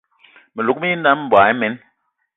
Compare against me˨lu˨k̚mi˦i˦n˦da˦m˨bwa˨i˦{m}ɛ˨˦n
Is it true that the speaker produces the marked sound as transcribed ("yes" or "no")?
yes